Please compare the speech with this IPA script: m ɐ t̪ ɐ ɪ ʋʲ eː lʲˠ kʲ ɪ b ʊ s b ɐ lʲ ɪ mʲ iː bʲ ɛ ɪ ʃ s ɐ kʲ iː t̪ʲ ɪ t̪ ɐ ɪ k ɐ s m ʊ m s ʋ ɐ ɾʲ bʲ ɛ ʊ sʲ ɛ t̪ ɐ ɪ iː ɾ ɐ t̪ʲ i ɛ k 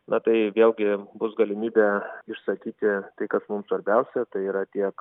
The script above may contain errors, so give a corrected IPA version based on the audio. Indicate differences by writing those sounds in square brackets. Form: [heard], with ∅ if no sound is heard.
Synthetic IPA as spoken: [n] ɐ t̪ ɐ ɪ ʋʲ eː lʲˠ [ɡʲ] ɪ b ʊ s [ɡ] ɐ lʲ ɪ mʲ iː bʲ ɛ ɪ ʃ s ɐ kʲ iː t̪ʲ ɪ t̪ ɐ ɪ k ɐ s m ʊ m s ʋ ɐ ɾʲ bʲ ɛ ʊ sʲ ɛ t̪ ɐ ɪ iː ɾ ɐ t̪ʲ i ɛ k